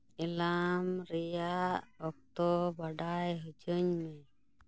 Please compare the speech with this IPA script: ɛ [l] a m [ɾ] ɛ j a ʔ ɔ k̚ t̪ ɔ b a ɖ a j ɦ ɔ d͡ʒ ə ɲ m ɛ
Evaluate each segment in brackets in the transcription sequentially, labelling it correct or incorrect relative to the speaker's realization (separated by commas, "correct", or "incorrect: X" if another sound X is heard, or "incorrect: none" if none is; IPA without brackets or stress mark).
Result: correct, correct